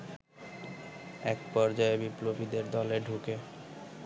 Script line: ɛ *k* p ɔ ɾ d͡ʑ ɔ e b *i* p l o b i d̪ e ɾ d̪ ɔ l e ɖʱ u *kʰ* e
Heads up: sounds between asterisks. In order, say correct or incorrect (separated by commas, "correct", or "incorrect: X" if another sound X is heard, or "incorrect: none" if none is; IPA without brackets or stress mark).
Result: correct, correct, incorrect: k